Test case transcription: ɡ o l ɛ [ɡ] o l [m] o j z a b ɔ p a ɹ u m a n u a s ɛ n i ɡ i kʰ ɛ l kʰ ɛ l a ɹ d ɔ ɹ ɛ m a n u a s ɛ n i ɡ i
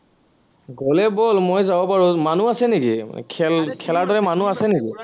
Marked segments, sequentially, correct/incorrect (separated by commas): incorrect, correct